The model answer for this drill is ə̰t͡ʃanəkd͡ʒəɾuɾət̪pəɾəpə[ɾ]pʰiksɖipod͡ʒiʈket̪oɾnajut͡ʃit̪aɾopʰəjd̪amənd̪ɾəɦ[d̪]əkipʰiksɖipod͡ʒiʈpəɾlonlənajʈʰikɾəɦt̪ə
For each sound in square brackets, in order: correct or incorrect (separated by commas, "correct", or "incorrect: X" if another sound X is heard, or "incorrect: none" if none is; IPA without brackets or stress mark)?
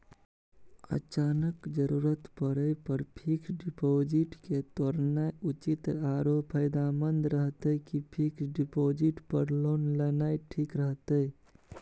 correct, incorrect: t̪